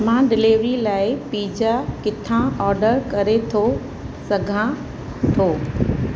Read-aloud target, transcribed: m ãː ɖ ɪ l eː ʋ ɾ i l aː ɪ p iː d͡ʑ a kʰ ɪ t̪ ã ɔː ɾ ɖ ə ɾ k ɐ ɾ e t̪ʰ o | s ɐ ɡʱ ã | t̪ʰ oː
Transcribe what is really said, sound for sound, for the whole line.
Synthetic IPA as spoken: m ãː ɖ ɪ l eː ʋ ɾ i l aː ɪ p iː d͡ʑ a k ɪ t̪ʰ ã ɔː ɾ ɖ ə ɾ k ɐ ɾ e t̪ʰ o | s ɐ ɡʱ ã | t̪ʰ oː